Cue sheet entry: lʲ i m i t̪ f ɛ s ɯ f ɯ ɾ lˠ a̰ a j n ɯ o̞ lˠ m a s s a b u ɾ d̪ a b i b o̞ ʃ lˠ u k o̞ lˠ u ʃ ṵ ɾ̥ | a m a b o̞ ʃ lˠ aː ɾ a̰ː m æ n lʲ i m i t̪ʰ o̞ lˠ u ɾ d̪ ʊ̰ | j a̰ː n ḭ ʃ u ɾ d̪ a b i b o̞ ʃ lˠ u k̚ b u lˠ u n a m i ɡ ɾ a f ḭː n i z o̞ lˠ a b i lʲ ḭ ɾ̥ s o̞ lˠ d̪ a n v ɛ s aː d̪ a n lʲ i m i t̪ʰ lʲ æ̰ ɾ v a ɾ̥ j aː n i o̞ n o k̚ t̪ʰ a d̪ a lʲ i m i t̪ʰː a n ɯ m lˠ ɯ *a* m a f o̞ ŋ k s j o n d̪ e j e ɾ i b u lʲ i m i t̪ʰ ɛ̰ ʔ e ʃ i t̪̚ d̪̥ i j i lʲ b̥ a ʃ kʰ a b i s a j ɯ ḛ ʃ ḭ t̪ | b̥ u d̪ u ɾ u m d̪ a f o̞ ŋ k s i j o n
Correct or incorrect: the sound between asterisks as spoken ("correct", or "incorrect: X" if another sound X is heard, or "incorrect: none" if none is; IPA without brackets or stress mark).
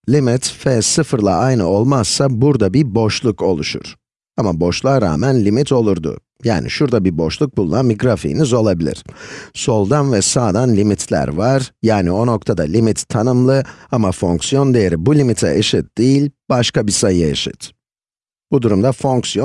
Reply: correct